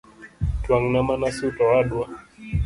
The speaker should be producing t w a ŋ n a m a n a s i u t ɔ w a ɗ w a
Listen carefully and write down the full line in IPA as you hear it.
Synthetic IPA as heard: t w a ŋ n a m a n a s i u t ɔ w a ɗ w a